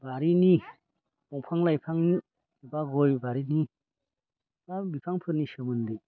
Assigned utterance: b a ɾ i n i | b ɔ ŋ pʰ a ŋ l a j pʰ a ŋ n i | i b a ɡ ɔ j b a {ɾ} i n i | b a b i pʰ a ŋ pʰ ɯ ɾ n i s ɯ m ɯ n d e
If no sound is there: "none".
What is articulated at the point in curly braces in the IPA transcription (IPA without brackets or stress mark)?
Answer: ɾ